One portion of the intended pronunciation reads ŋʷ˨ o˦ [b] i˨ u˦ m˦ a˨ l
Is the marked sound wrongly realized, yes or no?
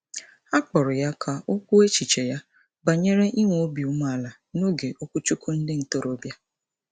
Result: no